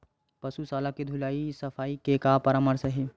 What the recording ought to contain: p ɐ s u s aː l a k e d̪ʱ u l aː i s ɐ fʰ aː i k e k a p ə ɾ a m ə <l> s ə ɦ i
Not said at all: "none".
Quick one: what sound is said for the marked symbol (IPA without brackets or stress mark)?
ɾ